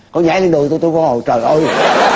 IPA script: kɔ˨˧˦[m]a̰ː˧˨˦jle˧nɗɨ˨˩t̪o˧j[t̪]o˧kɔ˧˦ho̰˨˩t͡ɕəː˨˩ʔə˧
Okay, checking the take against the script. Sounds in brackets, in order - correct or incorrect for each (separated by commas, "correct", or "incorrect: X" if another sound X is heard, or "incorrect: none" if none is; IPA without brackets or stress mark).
incorrect: ɲ, correct